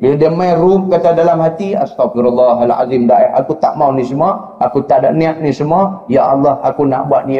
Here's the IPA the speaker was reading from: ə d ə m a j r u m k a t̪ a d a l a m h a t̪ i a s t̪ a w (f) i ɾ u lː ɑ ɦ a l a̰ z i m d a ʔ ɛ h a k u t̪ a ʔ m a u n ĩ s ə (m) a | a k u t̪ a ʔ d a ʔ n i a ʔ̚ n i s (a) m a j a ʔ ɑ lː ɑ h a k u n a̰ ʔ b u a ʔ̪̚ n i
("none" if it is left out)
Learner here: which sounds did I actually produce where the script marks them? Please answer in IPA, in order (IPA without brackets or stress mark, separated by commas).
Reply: f, m, ə